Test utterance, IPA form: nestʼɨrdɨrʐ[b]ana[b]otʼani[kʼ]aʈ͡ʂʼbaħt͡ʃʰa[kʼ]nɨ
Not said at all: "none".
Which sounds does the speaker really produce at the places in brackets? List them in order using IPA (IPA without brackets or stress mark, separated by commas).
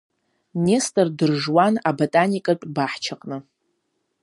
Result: w, b, kʼ, qʼ